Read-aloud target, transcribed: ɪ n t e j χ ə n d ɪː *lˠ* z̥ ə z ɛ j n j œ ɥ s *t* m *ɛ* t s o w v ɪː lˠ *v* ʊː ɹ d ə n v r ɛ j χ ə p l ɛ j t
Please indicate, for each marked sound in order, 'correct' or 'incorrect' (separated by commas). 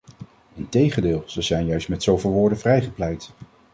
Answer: correct, correct, correct, incorrect